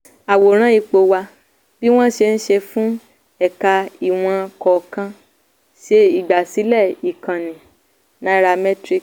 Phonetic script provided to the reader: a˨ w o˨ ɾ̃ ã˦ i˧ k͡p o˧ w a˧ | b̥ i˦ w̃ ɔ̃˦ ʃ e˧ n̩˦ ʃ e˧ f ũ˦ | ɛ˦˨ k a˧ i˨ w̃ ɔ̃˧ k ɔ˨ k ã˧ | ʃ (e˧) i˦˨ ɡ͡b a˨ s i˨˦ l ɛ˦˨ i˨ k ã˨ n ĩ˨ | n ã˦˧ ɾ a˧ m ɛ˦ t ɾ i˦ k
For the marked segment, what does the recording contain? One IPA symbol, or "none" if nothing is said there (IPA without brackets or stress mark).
e˧